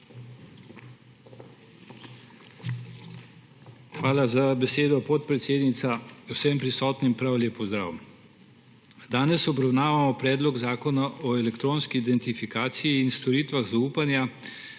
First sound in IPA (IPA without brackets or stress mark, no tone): x